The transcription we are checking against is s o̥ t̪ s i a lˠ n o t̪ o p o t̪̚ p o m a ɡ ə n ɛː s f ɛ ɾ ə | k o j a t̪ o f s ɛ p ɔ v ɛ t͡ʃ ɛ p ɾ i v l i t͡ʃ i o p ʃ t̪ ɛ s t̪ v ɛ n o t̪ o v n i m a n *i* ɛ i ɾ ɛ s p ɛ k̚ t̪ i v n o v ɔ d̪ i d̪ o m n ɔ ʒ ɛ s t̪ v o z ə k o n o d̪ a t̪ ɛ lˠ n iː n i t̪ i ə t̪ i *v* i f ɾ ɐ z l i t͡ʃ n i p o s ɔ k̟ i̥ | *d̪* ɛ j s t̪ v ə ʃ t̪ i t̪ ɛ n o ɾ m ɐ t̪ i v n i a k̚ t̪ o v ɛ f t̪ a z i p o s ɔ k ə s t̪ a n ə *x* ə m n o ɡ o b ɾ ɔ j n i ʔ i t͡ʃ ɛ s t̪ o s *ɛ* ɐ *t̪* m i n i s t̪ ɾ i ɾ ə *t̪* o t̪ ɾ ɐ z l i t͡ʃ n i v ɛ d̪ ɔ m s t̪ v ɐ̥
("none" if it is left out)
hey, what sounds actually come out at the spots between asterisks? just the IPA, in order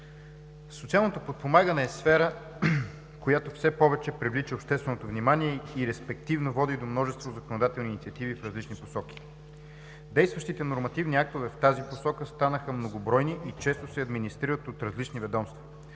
i, v, d̪, x, ɛ, d̪, t̪

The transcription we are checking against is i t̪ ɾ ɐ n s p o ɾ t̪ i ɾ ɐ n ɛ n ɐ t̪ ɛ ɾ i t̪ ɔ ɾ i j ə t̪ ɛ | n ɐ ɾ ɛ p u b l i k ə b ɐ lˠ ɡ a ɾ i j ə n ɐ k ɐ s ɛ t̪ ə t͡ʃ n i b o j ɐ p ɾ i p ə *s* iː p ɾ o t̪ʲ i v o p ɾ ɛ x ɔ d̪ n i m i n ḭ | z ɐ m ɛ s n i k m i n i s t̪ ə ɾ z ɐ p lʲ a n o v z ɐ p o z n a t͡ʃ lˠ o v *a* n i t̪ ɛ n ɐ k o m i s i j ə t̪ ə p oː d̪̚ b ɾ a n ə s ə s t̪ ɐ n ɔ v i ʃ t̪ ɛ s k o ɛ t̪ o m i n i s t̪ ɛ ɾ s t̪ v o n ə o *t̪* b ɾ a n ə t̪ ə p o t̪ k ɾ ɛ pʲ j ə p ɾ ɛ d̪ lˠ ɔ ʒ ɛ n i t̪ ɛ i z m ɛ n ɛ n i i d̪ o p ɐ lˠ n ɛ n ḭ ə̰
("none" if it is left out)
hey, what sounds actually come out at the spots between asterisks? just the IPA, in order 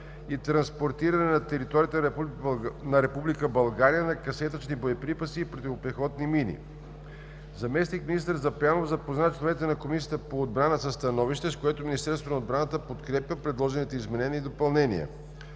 s, ɛ, d̪

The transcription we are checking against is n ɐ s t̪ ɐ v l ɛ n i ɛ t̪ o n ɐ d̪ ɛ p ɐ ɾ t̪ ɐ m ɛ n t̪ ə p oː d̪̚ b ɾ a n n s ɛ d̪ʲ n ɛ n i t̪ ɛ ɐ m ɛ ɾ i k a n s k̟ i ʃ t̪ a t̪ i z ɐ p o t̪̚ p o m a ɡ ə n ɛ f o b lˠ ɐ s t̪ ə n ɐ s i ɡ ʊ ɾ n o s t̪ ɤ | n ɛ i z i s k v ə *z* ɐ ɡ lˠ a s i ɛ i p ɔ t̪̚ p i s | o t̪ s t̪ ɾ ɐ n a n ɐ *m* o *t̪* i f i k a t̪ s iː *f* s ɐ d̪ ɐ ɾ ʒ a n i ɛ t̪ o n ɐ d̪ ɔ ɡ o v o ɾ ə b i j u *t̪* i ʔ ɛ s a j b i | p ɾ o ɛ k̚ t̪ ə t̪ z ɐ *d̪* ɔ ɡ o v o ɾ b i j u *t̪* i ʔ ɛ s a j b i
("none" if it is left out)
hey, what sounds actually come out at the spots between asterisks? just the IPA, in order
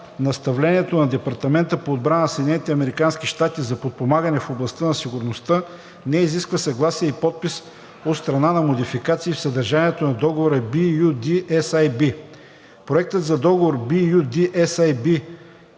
s, m, d̪, f, d̪, d̪, d̪

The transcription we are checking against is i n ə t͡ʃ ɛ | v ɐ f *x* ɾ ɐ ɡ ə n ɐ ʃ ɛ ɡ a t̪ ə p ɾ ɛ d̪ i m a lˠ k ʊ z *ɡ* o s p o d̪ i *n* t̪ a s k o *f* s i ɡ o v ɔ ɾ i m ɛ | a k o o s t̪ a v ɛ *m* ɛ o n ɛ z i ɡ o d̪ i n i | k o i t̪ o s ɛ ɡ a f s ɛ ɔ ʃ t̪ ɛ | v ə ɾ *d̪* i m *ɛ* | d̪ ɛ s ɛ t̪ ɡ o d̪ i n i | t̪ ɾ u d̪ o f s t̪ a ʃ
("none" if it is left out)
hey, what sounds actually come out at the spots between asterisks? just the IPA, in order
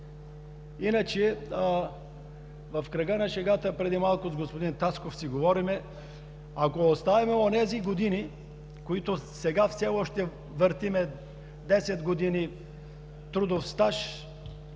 k, ɡ, n, f, m, t̪, ɛ

